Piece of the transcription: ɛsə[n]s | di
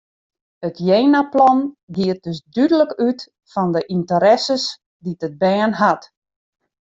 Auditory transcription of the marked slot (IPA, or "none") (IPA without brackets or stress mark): none